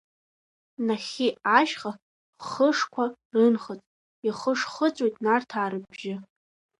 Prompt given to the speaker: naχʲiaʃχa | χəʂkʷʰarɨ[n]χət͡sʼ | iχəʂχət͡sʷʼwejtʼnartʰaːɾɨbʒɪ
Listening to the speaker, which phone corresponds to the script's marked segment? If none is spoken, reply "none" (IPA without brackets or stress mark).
n